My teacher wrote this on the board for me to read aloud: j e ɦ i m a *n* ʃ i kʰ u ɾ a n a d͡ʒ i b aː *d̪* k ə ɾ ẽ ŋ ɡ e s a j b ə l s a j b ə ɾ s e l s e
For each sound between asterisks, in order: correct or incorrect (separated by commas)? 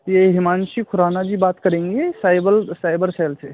correct, incorrect